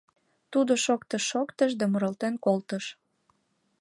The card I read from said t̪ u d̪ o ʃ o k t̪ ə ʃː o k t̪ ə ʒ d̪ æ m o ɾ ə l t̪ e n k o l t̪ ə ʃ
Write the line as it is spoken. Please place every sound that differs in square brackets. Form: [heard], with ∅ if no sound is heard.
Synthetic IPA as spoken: t̪ u d̪ o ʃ o k t̪ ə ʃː o k t̪ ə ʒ d̪ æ m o ɾ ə l t̪ e n k o l t̪ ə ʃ